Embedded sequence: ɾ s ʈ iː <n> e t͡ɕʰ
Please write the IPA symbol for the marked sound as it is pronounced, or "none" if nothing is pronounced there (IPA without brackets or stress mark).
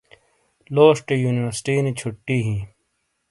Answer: n